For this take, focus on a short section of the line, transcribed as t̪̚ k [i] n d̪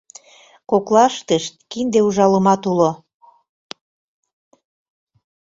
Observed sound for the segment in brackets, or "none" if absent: i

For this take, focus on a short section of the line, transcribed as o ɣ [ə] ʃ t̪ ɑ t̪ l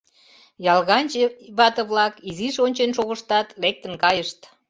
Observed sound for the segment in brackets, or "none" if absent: ə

